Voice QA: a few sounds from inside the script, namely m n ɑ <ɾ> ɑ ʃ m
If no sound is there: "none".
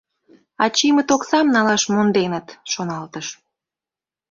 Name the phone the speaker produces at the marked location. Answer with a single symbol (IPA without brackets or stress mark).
l